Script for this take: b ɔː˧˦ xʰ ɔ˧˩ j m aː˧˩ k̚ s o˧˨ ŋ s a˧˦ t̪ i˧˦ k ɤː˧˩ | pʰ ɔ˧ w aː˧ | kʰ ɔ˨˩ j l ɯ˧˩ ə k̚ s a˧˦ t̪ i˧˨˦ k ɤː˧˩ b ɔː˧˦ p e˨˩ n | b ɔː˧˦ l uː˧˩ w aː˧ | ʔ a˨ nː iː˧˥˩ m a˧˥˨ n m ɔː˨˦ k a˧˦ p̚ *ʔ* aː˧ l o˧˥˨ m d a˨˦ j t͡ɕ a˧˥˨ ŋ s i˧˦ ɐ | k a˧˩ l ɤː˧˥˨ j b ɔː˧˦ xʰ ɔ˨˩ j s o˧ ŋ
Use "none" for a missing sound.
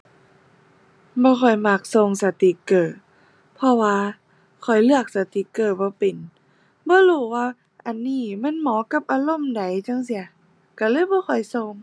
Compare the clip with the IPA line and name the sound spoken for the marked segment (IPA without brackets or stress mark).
ʔ